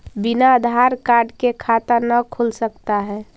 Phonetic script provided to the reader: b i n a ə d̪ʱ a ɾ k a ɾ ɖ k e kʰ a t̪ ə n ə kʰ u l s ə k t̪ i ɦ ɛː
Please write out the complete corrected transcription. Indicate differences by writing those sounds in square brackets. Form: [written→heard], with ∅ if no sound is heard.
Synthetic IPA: b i n a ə d̪ʱ a ɾ k a ɾ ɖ k e kʰ a t̪ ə n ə kʰ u l s ə k t̪ [i→a] ɦ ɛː